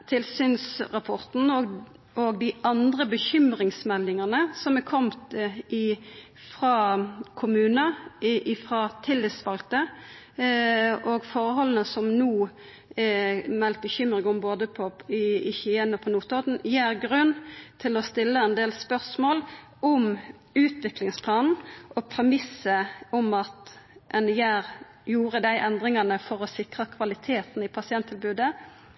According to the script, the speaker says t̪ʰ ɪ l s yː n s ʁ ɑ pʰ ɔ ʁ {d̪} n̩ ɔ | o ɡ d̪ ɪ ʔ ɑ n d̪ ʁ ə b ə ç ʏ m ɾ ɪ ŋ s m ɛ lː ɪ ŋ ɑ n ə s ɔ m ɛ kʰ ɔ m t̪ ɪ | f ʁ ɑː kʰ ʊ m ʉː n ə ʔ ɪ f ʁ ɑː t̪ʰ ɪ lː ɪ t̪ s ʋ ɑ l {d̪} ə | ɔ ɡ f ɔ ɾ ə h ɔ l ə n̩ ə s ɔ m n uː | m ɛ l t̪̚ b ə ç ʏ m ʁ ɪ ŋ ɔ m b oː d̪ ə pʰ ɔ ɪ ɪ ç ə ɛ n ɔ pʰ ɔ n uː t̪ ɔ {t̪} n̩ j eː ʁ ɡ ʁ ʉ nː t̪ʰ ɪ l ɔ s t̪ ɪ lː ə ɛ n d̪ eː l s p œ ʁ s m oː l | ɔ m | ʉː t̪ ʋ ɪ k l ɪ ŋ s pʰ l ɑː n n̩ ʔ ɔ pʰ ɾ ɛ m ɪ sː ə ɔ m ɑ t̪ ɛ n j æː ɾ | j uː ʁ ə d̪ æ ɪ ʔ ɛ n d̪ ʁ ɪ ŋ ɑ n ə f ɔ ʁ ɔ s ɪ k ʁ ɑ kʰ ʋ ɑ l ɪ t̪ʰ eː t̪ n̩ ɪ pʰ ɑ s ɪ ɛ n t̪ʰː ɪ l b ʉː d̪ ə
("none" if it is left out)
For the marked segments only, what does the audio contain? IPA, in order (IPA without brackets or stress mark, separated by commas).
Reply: t̪, t̪, d̪